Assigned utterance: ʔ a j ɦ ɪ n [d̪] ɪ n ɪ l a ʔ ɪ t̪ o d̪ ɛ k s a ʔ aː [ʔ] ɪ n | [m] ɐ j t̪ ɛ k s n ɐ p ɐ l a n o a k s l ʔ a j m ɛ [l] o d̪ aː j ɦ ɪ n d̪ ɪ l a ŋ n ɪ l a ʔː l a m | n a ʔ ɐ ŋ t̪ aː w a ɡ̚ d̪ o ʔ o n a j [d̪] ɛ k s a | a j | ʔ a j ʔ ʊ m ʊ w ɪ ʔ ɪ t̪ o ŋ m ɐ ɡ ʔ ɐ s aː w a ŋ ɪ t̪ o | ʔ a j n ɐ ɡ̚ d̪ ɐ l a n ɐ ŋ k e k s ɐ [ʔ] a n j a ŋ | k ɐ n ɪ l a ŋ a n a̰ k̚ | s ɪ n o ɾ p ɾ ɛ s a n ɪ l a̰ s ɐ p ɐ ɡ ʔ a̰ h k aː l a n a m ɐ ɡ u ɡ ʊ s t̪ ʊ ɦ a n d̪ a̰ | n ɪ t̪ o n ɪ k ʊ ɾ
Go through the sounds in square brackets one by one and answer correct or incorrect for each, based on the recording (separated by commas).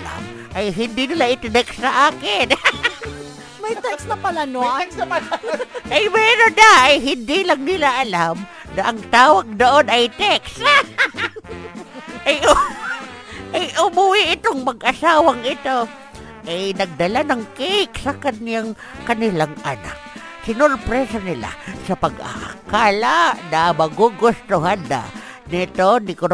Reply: correct, incorrect, correct, incorrect, incorrect, incorrect